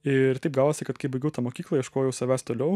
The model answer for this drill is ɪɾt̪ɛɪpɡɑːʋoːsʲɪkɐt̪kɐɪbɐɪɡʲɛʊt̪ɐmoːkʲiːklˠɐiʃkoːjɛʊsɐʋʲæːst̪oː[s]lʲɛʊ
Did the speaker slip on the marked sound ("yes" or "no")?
yes